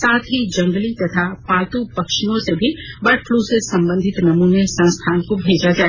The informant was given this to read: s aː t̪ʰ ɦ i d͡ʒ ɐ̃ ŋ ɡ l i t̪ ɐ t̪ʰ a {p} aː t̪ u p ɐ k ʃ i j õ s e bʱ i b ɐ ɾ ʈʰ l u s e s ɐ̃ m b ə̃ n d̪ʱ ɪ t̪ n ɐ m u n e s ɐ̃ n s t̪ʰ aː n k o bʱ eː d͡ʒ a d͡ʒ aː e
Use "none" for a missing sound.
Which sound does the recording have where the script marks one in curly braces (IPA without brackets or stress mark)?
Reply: p